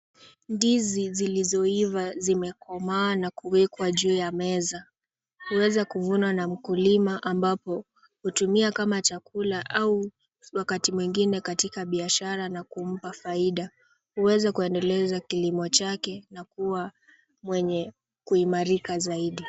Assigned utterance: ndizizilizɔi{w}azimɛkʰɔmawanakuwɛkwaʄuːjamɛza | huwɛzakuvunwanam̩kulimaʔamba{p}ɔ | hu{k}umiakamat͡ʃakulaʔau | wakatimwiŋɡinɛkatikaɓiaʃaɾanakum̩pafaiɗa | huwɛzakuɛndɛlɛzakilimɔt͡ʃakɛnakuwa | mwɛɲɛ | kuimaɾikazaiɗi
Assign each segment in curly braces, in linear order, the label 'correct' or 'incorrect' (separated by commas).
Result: incorrect, correct, incorrect